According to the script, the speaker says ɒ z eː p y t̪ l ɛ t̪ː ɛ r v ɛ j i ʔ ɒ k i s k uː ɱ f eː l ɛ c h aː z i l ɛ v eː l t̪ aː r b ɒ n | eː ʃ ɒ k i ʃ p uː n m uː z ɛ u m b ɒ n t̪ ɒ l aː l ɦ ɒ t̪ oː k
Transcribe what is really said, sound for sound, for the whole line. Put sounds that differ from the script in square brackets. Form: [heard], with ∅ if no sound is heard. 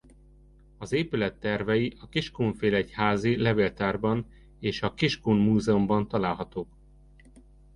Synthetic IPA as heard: ɒ z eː p y [∅] l ɛ t̪ː ɛ r v ɛ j i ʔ ɒ k i [ʃ] k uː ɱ f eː l ɛ c h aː z i l ɛ v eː l t̪ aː r b ɒ n | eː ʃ ɒ k i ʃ [k] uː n m uː z ɛ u m b ɒ n t̪ ɒ l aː l ɦ ɒ t̪ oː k